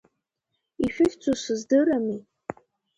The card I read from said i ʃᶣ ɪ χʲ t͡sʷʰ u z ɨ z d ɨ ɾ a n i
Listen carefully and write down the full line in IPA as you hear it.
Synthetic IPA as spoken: i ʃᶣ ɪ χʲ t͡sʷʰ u s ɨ z d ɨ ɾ a m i